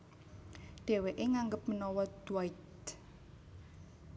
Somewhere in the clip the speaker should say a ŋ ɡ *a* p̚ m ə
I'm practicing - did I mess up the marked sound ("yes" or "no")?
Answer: yes